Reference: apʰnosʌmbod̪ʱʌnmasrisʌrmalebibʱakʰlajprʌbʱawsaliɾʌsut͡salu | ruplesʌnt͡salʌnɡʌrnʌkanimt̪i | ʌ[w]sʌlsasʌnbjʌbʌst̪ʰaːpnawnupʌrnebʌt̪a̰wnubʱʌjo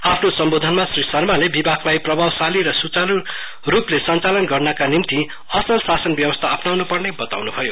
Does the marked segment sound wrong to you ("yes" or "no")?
yes